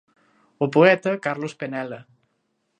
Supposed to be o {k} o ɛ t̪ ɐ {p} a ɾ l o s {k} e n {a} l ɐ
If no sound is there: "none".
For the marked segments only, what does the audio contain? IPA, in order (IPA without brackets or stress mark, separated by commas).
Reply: p, k, p, ɛ